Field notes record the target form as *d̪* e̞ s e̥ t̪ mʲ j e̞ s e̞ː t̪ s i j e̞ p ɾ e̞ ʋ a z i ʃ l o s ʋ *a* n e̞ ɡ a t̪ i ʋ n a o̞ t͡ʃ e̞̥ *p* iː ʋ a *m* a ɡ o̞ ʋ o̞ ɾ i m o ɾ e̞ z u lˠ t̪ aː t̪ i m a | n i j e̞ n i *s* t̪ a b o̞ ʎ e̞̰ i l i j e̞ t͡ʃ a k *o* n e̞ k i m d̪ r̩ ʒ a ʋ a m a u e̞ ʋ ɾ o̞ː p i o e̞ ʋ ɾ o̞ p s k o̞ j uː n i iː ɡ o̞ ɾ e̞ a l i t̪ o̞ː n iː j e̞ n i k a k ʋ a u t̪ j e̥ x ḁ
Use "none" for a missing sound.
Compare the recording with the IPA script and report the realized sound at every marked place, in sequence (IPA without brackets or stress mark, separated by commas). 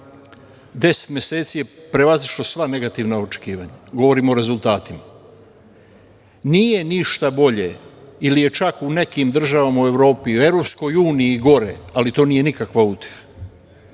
d̪, a, k, ɲ, ʃ, u